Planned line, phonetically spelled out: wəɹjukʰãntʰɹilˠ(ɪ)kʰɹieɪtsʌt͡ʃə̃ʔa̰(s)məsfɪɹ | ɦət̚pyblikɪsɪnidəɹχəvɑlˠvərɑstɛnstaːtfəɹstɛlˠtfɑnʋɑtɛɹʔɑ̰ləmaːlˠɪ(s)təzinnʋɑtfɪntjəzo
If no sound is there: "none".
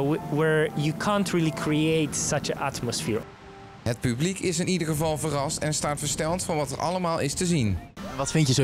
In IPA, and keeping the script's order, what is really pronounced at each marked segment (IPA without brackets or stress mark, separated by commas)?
i, t, s